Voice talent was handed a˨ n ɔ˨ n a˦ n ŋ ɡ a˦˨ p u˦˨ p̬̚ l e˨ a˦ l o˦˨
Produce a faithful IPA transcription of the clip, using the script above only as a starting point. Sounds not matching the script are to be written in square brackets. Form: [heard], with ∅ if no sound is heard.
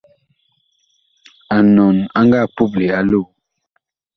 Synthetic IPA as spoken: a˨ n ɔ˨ n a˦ [∅] ŋ ɡ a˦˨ p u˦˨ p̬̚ l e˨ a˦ l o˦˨